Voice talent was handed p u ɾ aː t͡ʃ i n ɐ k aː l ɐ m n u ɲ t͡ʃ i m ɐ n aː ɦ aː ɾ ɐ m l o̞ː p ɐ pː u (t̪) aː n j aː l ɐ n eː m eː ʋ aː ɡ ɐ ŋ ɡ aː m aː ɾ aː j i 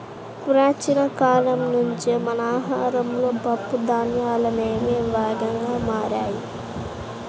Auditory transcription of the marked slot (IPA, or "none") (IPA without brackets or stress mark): d̪